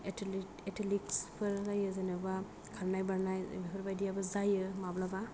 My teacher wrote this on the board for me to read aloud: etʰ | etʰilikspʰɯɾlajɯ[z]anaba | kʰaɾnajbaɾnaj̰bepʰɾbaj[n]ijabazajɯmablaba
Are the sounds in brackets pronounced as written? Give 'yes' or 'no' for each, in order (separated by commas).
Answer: yes, no